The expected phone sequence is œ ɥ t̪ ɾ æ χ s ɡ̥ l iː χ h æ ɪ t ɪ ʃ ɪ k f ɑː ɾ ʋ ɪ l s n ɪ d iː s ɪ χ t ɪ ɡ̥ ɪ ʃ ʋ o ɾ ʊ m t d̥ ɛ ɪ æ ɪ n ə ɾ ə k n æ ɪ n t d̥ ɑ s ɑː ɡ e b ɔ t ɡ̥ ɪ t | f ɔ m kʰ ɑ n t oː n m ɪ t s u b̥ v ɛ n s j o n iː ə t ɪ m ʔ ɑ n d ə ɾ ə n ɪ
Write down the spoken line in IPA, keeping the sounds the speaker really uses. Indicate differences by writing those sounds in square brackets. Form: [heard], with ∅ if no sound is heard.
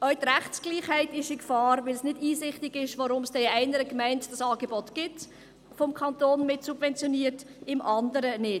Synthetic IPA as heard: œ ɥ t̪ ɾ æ χ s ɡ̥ l iː χ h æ ɪ t ɪ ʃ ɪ k f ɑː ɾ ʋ ɪ l s n ɪ d iː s ɪ χ t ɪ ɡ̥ ɪ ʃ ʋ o ɾ ʊ m [s] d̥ ɛ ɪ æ ɪ n ə ɾ ə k [m] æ ɪ n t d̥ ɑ s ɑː ɡ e b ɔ t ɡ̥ ɪ t | f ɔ m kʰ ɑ n t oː n m ɪ t s u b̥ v ɛ n [t͡s] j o n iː ə t ɪ m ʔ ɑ n d ə ɾ ə n ɪ